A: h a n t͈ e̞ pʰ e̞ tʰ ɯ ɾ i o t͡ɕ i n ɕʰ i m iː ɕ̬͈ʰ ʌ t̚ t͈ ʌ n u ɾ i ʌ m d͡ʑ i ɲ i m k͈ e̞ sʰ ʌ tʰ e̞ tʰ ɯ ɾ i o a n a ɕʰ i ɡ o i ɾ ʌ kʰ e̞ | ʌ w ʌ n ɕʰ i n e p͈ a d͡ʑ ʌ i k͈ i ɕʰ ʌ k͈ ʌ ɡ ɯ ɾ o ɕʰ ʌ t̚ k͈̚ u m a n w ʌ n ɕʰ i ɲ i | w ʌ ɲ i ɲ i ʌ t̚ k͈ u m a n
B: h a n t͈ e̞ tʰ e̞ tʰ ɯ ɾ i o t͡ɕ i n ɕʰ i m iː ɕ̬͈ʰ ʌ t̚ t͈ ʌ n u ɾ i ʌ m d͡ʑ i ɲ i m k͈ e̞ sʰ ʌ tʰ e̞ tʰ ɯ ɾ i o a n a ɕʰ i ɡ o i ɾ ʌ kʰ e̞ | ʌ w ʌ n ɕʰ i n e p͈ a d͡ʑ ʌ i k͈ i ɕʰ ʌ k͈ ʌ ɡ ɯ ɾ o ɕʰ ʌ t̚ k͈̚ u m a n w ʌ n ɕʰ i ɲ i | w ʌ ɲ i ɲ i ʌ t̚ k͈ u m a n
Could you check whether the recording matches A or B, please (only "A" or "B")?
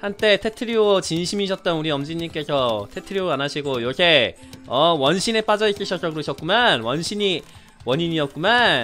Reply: B